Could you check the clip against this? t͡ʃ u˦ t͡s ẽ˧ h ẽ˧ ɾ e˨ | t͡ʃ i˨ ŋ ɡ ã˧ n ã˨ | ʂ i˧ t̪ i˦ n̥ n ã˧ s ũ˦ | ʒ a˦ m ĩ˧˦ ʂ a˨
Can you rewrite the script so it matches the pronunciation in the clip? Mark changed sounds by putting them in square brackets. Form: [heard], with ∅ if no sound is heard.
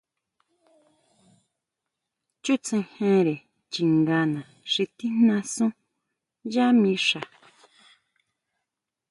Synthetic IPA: t͡ʃ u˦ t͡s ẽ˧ h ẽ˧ ɾ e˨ | t͡ʃ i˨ ŋ ɡ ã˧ n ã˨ | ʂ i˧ t̪ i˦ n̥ n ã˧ s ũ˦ | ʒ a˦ m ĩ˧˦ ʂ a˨